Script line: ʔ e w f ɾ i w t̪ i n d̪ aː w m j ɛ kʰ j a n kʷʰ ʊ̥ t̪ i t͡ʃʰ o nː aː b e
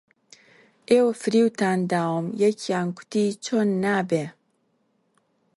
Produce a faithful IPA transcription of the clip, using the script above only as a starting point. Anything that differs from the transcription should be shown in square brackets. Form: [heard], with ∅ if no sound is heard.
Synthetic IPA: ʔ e w f ɾ i w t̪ [a] n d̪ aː w m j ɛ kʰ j a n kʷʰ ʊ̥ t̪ i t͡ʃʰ o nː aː b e